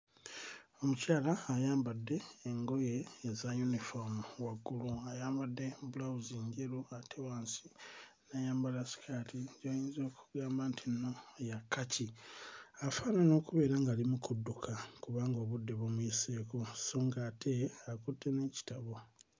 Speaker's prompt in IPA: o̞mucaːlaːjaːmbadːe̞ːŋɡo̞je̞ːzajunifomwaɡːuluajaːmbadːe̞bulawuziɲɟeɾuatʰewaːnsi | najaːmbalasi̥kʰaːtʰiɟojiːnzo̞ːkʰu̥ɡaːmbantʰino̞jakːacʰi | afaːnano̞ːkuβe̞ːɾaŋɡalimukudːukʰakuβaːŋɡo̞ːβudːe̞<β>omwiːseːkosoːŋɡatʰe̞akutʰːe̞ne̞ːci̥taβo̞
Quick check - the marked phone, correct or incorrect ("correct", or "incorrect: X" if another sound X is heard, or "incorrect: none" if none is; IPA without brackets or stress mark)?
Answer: correct